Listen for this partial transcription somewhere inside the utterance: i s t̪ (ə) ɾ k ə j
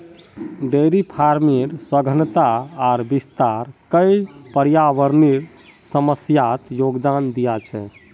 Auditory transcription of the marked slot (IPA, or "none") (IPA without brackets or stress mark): a